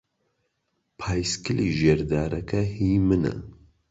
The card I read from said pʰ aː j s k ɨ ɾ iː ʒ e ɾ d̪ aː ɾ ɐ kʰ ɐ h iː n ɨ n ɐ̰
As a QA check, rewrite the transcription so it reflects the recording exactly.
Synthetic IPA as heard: pʰ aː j s k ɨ l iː ʒ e ɾ d̪ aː ɾ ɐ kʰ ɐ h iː m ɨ n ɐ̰

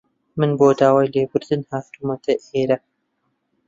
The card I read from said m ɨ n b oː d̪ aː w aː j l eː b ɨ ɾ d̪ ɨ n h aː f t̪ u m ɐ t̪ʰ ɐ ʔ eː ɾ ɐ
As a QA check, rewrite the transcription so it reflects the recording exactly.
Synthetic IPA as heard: m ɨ n b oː d̪ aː w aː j l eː b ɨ ɾ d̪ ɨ n h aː f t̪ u m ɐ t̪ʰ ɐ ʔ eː ɾ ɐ

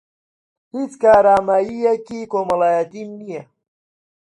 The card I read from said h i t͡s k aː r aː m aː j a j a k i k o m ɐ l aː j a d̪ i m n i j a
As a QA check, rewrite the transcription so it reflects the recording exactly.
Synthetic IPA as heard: h i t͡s k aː ɾ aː m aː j i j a k i k o m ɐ l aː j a t̪ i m n i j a

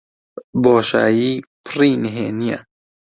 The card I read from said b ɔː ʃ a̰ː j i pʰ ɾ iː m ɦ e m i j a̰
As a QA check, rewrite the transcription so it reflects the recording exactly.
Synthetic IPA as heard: b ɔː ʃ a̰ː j i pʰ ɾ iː n ɦ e n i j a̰

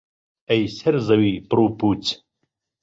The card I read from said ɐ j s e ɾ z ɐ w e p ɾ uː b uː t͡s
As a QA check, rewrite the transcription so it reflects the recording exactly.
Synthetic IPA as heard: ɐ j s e ɾ z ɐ w i p ɾ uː p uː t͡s

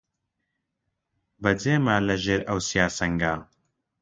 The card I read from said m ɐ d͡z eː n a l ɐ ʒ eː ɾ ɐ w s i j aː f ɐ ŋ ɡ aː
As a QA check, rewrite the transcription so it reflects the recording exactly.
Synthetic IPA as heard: b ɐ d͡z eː m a l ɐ ʒ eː ɾ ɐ w s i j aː s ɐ ŋ ɡ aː

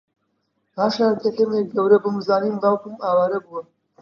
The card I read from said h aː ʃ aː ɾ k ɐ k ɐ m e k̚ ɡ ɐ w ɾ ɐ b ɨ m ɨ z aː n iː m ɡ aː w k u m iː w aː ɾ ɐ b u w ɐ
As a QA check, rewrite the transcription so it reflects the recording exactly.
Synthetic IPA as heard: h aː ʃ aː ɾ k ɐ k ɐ m e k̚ ɡ ɐ w ɾ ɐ b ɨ m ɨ z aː n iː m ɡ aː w k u m aː w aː ɾ ɐ b u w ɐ

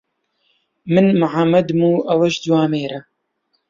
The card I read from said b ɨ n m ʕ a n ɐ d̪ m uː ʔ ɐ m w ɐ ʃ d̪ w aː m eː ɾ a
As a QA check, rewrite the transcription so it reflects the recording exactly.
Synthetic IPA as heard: m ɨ n m ʕ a m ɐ d̪ m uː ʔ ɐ w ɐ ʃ d̪ w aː m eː ɾ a

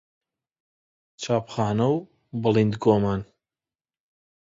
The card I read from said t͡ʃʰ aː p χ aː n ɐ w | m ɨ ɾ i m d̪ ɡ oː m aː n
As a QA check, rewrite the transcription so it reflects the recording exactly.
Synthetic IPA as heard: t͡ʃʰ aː p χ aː n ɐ w | b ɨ l i n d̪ ɡ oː m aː n

